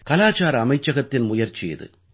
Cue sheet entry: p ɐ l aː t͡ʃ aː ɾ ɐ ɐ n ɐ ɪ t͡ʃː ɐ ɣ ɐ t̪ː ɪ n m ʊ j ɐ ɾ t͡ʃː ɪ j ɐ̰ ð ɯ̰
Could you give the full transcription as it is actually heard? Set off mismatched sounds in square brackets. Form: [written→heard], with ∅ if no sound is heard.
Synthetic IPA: [p→k] ɐ l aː t͡ʃ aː ɾ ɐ ɐ [n→m] ɐ ɪ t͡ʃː ɐ ɣ ɐ t̪ː ɪ n m ʊ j ɐ ɾ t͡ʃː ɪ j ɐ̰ ð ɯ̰